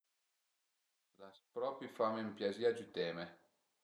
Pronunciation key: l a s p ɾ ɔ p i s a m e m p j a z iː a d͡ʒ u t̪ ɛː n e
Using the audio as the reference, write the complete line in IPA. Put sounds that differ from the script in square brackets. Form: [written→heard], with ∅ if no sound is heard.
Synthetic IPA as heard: l a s p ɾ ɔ p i [s→f] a m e m p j a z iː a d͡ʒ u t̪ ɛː [n→m] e